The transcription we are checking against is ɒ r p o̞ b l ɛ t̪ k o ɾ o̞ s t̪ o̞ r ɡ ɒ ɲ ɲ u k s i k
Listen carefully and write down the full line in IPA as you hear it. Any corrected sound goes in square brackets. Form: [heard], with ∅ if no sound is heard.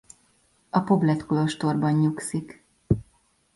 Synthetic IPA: ɒ [∅] p o̞ b l ɛ t̪ k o [l] o̞ [ʃ] t̪ o̞ r [b] ɒ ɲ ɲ u k s i k